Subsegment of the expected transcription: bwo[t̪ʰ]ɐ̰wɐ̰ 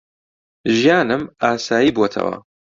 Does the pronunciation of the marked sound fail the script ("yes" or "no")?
no